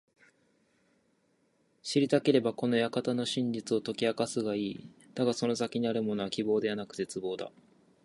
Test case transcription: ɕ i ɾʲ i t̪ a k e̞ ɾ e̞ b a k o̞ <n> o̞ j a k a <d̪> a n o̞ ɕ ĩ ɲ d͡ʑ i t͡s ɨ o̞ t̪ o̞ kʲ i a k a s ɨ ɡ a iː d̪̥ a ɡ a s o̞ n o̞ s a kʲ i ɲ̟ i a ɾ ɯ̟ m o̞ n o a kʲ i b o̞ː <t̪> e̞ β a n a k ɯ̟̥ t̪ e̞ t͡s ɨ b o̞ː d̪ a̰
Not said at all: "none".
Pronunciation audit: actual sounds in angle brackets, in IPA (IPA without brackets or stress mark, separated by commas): n, t̪, d̪